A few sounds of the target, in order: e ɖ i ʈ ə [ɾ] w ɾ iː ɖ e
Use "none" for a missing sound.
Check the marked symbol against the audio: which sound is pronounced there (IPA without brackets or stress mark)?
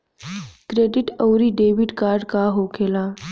none